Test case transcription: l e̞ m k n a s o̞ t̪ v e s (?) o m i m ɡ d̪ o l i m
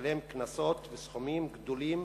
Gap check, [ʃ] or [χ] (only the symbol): χ